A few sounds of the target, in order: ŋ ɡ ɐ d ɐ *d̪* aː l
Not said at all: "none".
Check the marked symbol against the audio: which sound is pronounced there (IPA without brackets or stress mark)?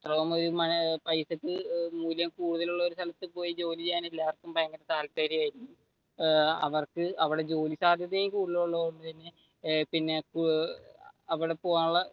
t̪